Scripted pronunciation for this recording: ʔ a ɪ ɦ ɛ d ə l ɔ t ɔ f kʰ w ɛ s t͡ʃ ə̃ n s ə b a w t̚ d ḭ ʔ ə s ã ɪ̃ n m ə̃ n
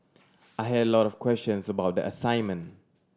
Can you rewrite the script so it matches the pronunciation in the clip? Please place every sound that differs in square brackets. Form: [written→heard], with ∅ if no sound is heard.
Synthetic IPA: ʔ a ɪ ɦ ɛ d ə l ɔ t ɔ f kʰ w ɛ s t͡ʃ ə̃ n s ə b a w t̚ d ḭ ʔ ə s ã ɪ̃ n m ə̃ n